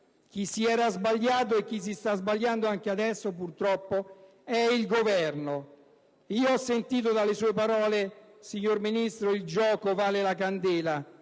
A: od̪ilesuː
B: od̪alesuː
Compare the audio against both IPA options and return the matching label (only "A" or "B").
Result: B